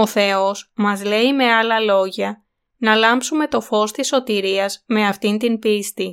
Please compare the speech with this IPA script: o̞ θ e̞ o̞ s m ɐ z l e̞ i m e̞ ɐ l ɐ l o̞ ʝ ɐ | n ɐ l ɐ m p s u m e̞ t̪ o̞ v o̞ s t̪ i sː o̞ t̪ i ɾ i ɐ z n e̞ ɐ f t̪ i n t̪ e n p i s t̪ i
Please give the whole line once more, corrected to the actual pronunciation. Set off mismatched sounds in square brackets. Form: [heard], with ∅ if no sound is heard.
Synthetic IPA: o̞ θ e̞ o̞ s m ɐ z l e̞ i m e̞ ɐ l ɐ l o̞ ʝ ɐ | n ɐ l ɐ m p s u m e̞ t̪ o̞ [f] o̞ s t̪ i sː o̞ t̪ i ɾ i ɐ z [m] e̞ ɐ f t̪ i n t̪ [i] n p i s t̪ i